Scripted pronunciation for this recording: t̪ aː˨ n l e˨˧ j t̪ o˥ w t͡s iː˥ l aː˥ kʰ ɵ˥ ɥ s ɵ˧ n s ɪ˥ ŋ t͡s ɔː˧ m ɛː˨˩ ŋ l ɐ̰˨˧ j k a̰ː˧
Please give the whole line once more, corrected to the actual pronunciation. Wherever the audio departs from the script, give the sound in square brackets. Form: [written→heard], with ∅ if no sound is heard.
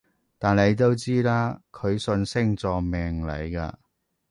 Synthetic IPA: t̪ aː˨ n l e˨˧ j t̪ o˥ w t͡s iː˥ l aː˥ kʰ [ɵ˥→ɵ˨˧] ɥ s ɵ˧ n s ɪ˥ ŋ t͡s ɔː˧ m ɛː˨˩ ŋ l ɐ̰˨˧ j k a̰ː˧

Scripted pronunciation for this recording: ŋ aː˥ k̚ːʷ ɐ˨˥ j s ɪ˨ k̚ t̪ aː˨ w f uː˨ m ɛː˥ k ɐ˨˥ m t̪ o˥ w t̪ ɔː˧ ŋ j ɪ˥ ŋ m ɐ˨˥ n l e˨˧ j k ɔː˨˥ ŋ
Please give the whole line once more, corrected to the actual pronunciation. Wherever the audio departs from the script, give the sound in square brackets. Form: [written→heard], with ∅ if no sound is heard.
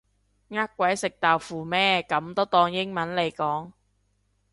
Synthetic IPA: ŋ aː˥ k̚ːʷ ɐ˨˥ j s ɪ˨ k̚ t̪ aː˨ w f uː˨ m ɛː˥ k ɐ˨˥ m t̪ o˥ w t̪ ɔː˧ ŋ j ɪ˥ ŋ m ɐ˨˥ n l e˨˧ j k ɔː˨˥ ŋ

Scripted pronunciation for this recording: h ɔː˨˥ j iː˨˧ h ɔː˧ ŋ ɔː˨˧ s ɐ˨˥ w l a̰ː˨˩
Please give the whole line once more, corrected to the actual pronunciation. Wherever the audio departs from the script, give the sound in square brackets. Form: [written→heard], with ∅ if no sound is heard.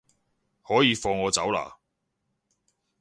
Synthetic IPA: h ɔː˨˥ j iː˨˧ [h→f] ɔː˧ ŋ ɔː˨˧ [s→t͡s] ɐ˨˥ w l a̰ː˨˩

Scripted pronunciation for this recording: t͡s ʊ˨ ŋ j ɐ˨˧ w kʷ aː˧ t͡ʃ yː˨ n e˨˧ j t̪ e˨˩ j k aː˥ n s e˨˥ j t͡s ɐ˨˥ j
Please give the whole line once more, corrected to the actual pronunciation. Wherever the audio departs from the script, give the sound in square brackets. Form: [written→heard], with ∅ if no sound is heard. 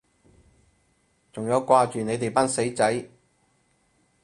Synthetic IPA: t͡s ʊ˨ ŋ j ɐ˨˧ w kʷ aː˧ t͡ʃ yː˨ n e˨˧ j t̪ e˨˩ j [k→p] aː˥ n s e˨˥ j t͡s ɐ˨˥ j

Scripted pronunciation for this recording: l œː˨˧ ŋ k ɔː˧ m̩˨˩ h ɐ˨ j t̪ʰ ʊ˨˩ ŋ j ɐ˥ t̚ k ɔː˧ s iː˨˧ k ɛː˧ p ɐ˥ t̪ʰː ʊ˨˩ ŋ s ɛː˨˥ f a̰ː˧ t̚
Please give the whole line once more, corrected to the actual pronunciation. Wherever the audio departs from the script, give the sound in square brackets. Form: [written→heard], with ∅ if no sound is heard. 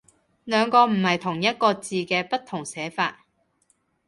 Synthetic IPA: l œː˨˧ ŋ k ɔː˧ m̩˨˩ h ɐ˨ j t̪ʰ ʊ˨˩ ŋ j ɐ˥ t̚ k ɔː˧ [s→t͡s] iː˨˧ k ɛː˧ p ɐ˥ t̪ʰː ʊ˨˩ ŋ s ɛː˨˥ f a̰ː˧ t̚

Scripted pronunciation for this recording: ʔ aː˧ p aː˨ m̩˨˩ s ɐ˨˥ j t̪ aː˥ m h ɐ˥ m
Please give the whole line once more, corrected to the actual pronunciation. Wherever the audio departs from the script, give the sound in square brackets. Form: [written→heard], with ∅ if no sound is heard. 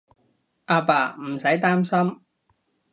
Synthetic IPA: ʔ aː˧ p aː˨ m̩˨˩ s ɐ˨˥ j t̪ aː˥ m [h→s] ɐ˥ m

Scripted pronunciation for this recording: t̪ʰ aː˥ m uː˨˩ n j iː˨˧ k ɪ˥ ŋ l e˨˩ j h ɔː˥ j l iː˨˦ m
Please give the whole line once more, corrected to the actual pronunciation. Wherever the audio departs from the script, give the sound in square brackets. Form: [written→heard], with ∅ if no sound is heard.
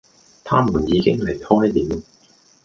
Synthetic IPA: t̪ʰ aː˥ m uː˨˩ n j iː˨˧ k ɪ˥ ŋ l e˨˩ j h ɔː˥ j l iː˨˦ m

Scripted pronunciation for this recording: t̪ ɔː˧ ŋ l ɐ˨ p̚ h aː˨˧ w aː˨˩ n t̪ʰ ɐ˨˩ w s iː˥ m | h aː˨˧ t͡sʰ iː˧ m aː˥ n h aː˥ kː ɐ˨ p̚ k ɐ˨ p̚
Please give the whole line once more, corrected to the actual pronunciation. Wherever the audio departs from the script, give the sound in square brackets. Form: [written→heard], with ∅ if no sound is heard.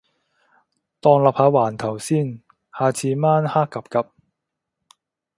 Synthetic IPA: t̪ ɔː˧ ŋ l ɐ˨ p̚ h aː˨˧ w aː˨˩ n t̪ʰ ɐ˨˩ w s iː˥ [m→n] | h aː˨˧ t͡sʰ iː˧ m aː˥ n h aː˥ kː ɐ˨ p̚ k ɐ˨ p̚

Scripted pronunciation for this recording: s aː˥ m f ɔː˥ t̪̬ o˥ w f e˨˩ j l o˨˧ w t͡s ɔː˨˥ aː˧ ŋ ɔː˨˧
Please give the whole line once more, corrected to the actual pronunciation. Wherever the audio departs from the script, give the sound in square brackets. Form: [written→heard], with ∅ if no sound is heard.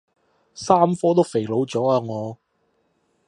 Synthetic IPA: s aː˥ m f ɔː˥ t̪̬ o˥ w f e˨˩ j l o˨˧ w t͡s ɔː˨˥ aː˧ ŋ ɔː˨˧

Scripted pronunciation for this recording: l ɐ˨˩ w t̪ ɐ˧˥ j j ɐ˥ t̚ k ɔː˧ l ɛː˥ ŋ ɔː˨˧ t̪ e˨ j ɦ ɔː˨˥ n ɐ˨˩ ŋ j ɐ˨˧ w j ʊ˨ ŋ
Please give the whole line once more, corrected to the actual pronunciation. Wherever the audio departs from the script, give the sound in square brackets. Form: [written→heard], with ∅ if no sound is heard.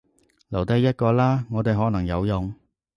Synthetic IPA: l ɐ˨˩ w t̪ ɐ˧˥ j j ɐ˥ t̚ k ɔː˧ l [ɛː˥→aː˥] ŋ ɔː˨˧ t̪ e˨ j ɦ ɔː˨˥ n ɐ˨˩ ŋ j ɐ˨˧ w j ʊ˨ ŋ

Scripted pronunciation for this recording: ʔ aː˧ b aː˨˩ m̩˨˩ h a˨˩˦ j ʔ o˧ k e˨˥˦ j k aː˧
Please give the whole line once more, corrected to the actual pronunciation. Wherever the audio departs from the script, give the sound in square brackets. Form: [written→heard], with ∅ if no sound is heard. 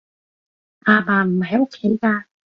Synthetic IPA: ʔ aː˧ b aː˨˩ m̩˨˩ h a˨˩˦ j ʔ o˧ [k→kʰ] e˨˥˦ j k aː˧

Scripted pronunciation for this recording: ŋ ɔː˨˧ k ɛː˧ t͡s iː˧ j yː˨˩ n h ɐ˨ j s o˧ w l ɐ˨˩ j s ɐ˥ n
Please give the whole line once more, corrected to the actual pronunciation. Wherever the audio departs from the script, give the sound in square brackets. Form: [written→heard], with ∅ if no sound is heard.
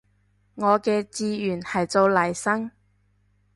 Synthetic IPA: ŋ ɔː˨˧ k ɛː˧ t͡s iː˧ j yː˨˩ n h ɐ˨ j [s→t͡s] o˧ w l ɐ˨˩ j s ɐ˥ [n→ŋ]

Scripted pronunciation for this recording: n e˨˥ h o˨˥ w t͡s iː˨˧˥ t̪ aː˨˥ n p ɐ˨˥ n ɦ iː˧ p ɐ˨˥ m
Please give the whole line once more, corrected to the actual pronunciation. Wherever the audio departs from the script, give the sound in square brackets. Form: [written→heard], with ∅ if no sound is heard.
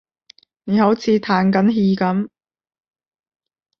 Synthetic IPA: n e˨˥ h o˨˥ w [t͡s→t͡sʰ] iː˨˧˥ [t̪→t̪ʰ] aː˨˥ n [p→k] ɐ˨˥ n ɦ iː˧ [p→k] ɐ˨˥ m

